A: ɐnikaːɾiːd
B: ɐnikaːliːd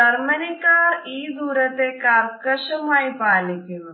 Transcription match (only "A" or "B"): A